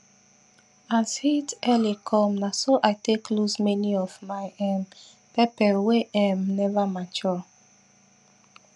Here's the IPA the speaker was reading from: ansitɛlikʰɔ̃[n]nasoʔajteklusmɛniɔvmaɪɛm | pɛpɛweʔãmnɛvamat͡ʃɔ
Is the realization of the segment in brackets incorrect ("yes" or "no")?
yes